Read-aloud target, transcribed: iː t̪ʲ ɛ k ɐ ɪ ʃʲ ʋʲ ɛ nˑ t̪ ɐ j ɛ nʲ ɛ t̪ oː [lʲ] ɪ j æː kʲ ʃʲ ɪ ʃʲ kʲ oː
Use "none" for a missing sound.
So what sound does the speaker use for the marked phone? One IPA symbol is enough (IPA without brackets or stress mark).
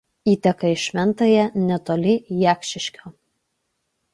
lʲ